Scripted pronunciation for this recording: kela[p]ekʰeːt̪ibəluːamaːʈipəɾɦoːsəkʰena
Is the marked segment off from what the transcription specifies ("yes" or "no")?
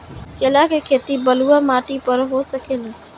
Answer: yes